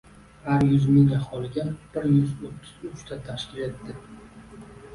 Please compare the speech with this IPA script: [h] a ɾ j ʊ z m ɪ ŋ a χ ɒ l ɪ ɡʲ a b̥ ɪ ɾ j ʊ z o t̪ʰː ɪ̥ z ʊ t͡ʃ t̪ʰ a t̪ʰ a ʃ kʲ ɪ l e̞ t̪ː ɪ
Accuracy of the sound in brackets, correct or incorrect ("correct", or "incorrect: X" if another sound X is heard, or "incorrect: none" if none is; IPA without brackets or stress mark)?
correct